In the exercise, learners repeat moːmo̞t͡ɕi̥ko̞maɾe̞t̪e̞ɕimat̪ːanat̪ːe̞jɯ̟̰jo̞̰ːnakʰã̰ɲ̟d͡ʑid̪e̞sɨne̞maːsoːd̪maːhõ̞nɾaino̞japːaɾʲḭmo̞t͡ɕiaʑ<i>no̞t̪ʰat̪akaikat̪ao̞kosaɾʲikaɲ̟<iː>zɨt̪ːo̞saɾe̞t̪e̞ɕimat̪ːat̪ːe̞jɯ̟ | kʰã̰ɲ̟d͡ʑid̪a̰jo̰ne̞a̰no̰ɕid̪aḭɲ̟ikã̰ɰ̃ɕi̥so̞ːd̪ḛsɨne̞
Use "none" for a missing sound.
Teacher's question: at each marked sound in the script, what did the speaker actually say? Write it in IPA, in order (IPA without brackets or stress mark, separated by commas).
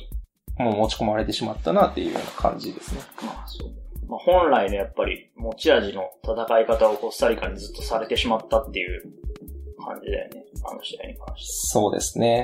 i, i